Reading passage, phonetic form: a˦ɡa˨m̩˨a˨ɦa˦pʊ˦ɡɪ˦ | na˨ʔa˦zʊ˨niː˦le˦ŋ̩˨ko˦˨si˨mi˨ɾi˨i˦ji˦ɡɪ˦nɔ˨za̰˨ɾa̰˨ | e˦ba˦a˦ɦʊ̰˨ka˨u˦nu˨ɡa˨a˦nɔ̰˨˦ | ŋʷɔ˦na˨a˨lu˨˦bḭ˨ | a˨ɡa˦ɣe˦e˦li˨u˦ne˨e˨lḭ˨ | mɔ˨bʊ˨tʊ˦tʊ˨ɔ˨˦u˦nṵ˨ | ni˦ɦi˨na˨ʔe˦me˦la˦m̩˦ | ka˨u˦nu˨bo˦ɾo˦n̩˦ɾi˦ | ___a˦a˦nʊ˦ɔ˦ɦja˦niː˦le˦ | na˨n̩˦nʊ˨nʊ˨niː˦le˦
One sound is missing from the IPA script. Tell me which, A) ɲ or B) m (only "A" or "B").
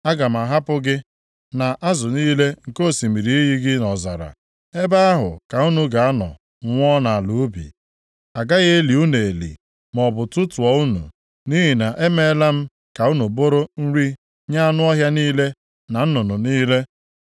A